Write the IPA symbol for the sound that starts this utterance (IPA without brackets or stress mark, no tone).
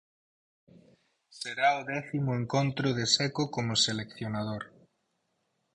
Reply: s